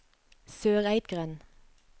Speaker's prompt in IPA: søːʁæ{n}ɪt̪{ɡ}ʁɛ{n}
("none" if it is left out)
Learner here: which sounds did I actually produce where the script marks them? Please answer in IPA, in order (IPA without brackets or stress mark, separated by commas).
none, ɡ, n